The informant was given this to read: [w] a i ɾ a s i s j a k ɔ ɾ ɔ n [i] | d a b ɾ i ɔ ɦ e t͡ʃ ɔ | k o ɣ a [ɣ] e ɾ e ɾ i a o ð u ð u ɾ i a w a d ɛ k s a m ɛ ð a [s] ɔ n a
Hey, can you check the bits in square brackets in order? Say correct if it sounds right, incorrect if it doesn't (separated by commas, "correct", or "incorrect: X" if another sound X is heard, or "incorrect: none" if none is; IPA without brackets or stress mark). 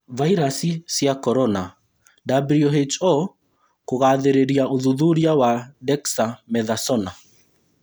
incorrect: v, incorrect: a, incorrect: ð, correct